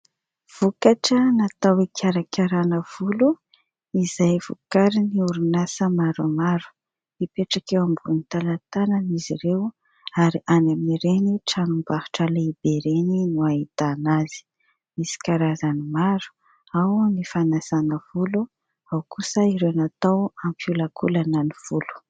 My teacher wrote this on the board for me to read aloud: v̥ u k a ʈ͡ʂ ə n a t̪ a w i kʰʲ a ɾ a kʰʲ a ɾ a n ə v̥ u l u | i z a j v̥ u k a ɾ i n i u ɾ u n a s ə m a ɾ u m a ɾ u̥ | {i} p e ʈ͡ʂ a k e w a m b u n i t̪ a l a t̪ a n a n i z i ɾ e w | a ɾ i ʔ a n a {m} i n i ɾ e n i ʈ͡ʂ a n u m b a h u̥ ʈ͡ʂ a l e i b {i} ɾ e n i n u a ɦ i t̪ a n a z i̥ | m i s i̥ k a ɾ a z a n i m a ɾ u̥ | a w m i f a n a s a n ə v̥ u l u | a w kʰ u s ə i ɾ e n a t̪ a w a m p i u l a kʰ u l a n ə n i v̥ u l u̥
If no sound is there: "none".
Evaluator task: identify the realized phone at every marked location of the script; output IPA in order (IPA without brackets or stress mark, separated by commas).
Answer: i, m, e